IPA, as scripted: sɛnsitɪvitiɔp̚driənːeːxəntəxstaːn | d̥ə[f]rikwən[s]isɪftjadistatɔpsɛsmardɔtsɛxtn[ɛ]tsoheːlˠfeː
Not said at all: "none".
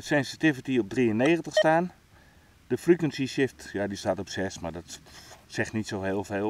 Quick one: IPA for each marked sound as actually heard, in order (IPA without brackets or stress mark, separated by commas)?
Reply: f, s, i